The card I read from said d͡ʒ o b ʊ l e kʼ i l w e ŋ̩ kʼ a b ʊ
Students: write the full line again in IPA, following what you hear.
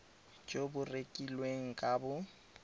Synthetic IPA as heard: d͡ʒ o b ʊ r e kʼ i l w e ŋ̩ kʼ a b ʊ

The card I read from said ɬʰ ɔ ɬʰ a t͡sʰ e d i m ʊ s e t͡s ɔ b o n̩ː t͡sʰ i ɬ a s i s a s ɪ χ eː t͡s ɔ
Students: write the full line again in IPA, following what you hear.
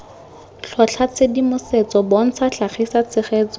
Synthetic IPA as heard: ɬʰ ɔ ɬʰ a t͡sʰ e d i m ʊ s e t͡s ɔ b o n̩ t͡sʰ a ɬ a χ i s a t͡s ɪ χ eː t͡s ɔ

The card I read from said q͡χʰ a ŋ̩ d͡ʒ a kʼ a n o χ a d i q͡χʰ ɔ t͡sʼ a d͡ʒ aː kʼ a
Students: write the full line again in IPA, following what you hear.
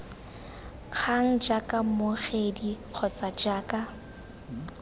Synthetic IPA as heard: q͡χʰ a ŋ̩ d͡ʒ a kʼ a m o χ e d i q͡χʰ ɔ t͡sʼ a d͡ʒ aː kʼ a

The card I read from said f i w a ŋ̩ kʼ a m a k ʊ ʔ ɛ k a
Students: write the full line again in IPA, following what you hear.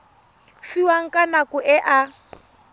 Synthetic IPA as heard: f i w a ŋ̩ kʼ a n a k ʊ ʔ ɛ ʔ a

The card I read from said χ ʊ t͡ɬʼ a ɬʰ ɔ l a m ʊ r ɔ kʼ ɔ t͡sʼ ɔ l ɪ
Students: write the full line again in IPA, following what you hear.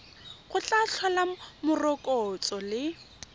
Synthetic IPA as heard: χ ʊ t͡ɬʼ a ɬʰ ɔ l a m ʊ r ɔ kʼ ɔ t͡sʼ ɔ l ɪ

